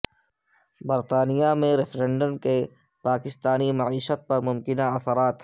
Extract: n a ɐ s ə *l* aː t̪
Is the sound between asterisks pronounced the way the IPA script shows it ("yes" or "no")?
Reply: no